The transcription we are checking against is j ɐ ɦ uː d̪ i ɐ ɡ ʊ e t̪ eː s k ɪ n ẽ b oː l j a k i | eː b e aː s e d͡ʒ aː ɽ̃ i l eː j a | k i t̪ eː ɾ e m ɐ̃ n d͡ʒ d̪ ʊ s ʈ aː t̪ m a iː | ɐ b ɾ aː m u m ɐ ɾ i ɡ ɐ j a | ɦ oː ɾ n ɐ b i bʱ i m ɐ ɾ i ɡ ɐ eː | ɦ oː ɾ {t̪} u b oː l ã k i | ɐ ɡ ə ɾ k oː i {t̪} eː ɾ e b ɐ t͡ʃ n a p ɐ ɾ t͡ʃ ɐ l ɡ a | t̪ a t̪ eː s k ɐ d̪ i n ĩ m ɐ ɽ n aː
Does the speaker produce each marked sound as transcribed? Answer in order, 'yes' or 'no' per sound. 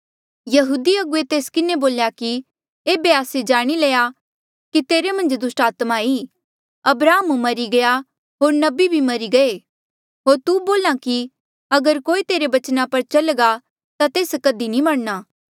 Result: yes, yes

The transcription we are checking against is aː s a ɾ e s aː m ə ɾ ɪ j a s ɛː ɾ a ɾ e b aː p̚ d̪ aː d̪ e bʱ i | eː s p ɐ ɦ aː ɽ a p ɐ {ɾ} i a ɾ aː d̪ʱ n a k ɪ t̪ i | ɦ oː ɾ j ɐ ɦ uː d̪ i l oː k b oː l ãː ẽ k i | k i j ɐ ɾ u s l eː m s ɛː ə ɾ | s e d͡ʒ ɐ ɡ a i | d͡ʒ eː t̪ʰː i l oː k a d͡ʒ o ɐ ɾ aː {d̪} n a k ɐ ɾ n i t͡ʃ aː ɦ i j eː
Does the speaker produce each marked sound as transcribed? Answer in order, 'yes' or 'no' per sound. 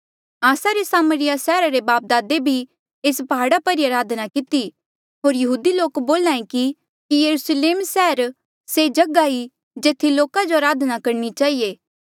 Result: yes, yes

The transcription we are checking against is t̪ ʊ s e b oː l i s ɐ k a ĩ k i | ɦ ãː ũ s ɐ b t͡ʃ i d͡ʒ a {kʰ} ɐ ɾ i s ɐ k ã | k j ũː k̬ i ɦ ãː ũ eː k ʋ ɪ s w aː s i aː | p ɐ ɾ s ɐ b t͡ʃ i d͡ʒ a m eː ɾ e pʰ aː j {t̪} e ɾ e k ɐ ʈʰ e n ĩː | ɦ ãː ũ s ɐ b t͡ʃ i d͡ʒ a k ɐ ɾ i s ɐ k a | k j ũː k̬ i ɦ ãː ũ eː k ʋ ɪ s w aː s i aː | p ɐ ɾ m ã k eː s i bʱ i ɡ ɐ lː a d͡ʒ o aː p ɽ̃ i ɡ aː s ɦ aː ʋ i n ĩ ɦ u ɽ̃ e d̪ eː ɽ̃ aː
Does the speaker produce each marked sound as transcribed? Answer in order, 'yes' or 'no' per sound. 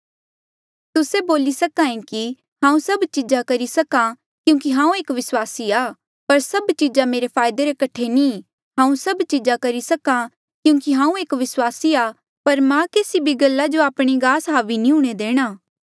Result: no, no

